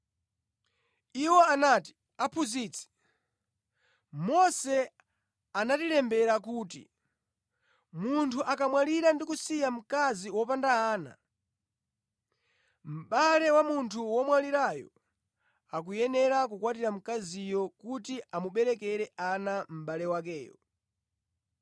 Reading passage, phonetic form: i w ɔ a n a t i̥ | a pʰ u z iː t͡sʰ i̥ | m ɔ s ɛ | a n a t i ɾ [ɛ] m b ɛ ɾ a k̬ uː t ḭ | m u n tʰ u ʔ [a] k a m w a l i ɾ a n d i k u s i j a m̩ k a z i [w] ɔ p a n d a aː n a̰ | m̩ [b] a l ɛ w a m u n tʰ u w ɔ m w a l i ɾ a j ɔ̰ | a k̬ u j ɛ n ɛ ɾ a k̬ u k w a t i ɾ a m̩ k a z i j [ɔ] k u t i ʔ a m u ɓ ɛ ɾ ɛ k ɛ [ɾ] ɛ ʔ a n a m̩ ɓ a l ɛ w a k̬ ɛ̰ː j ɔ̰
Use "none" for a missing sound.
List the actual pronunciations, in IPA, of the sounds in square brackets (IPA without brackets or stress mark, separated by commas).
ɛ, a, w, ɓ, ɔ, ɾ